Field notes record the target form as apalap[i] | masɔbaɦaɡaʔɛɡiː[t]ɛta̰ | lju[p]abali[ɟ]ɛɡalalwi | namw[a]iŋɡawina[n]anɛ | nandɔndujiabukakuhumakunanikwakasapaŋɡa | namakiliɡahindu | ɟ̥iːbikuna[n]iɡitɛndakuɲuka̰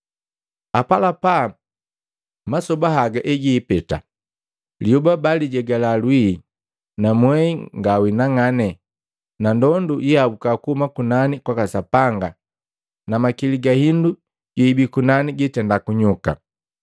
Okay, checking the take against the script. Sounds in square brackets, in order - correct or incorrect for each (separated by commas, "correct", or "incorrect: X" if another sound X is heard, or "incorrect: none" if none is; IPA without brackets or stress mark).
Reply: incorrect: a, incorrect: p, incorrect: b, correct, incorrect: ɛ, incorrect: ŋ, correct